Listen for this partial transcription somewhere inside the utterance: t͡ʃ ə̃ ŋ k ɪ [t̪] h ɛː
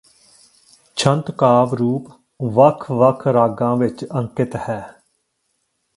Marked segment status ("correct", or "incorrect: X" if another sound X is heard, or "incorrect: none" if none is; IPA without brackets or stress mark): correct